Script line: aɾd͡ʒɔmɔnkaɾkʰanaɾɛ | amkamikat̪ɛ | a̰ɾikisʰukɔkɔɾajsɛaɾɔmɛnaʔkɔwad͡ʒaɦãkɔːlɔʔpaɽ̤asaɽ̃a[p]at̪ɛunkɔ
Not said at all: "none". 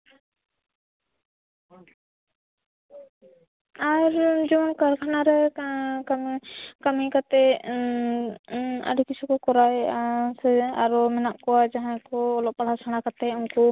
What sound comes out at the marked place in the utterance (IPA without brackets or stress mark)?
k